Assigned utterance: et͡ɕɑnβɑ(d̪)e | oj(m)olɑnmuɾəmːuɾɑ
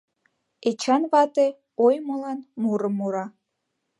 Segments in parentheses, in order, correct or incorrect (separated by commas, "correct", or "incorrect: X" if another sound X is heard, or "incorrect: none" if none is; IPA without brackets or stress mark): incorrect: t̪, correct